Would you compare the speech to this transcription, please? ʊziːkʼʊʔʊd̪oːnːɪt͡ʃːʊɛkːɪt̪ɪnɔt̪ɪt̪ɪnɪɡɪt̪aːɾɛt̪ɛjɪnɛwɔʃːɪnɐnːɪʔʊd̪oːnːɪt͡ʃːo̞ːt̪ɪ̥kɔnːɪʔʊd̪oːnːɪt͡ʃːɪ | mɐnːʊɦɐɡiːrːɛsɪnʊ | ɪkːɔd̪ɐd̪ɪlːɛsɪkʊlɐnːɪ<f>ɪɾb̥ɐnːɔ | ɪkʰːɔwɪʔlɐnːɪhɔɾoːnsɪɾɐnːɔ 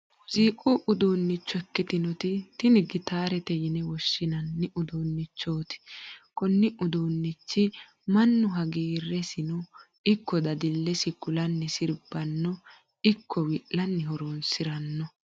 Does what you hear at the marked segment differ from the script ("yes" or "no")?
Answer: yes